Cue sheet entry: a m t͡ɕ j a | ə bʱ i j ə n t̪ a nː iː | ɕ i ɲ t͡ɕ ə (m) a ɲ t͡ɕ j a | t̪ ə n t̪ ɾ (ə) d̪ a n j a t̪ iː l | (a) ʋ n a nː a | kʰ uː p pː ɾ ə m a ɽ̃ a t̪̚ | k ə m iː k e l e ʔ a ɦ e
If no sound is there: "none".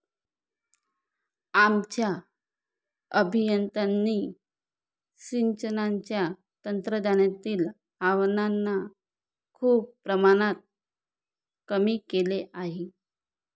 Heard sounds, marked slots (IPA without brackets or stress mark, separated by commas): n, ə, a